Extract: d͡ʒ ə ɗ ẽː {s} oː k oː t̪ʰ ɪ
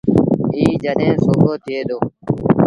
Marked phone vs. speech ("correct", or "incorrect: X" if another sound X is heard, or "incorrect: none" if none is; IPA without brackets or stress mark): correct